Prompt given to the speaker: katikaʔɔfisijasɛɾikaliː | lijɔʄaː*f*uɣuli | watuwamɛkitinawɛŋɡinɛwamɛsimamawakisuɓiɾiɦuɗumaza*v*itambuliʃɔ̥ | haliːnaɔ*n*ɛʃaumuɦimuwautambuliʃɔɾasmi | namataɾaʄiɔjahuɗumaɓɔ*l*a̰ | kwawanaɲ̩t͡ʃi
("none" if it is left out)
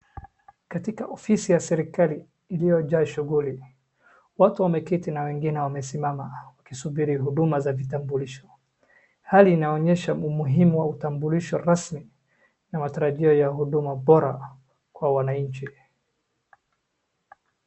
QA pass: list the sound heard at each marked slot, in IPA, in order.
ʃ, v, ɲ, ɾ

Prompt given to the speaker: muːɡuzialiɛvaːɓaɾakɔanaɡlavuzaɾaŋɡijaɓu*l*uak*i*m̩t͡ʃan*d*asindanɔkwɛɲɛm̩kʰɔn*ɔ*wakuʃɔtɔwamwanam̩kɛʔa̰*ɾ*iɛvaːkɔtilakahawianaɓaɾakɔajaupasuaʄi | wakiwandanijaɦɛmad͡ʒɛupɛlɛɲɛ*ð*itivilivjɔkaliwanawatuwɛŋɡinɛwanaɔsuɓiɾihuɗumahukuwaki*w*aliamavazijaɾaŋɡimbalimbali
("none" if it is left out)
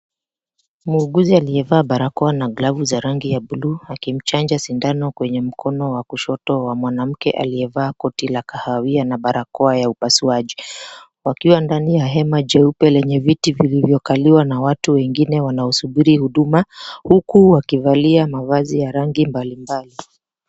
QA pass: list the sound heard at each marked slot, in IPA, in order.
l, i, d͡ʒ, ɔ, l, v, v

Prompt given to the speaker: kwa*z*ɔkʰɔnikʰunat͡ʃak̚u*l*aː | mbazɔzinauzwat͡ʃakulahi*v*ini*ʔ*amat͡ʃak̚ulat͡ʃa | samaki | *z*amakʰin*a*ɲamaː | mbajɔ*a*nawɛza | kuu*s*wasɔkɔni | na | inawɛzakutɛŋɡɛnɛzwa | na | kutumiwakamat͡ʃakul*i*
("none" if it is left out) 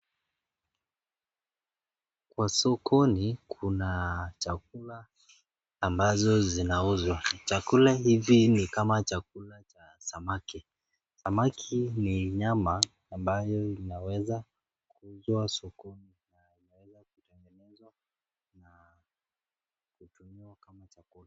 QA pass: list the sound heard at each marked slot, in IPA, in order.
s, l, v, k, s, i, i, z, a

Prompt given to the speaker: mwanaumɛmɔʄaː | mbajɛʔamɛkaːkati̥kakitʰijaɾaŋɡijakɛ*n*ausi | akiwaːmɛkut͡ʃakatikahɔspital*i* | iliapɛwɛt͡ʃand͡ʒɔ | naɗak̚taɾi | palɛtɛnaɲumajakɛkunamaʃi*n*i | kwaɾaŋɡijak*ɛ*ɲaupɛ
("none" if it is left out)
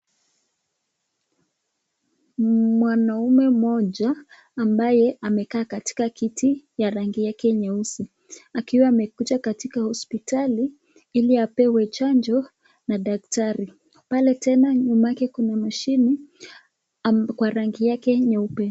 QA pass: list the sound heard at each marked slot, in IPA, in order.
ɲ, i, n, ɛ

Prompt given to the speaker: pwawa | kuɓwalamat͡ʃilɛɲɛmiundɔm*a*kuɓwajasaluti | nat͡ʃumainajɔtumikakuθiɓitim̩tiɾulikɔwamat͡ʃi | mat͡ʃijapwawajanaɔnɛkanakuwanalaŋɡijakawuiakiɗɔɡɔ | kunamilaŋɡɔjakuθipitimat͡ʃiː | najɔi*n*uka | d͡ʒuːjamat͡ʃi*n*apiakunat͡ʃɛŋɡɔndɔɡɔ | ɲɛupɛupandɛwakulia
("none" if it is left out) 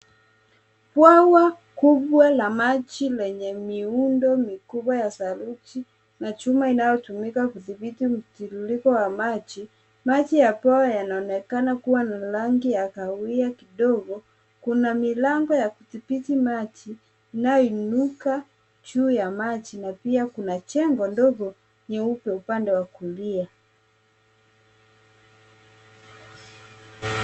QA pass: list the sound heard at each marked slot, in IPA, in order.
i, n, n

